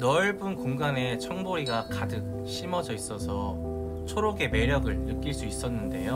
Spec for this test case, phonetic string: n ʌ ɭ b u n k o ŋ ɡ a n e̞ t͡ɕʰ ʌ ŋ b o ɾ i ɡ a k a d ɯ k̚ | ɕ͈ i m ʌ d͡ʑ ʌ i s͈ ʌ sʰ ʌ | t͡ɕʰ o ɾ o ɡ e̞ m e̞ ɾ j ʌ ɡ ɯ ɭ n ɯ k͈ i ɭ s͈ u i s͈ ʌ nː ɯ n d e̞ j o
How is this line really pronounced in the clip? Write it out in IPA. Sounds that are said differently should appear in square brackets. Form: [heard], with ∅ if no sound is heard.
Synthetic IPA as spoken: n ʌ ɭ b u n k o ŋ ɡ a n e̞ t͡ɕʰ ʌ ŋ b o ɾ i ɡ a k a d ɯ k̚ | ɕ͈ i m ʌ d͡ʑ ʌ i s͈ ʌ sʰ ʌ | t͡ɕʰ o ɾ o ɡ e̞ m e̞ ɾ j ʌ ɡ ɯ ɭ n ɯ k͈ i ɭ s͈ u i s͈ ʌ nː ɯ n d e̞ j o